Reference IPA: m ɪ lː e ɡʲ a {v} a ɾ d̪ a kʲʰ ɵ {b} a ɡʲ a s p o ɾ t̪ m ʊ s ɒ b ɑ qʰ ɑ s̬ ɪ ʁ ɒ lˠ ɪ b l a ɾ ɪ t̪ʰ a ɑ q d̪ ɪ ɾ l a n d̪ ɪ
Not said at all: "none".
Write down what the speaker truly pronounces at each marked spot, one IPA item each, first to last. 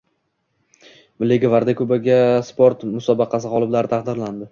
v, b

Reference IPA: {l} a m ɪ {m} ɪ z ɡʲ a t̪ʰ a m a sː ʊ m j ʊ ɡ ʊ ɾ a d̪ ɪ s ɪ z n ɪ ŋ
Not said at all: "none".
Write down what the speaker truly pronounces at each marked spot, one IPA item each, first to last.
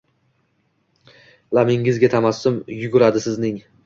l, ŋ

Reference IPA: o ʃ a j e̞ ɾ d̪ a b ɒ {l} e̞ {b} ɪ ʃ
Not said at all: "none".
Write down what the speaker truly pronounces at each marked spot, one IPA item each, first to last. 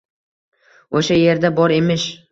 ɾ, m

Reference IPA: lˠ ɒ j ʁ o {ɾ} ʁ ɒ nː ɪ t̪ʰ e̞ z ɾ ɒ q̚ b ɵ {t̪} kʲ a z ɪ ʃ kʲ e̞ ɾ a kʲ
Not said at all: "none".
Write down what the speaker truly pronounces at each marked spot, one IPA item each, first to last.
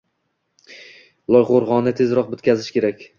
ɾ, t̪

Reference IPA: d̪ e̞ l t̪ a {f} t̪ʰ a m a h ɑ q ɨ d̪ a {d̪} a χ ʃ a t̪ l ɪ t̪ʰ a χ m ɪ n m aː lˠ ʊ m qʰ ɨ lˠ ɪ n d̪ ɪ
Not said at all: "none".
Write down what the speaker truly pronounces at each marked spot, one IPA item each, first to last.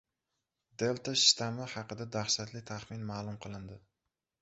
ʃ, d̪

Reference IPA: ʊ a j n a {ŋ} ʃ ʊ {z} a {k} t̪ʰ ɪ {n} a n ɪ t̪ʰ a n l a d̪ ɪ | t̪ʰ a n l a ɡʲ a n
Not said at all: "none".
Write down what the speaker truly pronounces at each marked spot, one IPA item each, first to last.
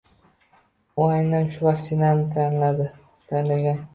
n, v, k, n

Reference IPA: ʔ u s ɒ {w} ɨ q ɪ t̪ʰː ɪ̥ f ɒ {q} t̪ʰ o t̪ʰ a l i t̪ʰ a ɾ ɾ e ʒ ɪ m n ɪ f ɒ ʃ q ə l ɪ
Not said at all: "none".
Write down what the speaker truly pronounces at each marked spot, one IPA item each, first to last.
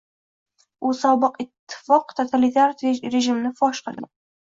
b, q

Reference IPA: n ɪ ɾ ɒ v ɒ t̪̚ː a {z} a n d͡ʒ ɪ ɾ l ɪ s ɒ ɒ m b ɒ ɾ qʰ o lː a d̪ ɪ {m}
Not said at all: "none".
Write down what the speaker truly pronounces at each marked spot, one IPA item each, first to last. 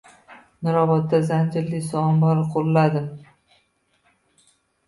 z, m

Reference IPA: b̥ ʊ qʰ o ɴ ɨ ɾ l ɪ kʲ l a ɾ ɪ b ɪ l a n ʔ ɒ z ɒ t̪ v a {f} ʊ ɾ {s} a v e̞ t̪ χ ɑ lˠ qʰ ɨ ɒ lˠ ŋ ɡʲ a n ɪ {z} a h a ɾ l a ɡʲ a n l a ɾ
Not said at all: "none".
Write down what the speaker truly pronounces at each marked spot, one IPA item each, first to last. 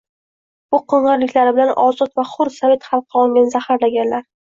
χ, s, z

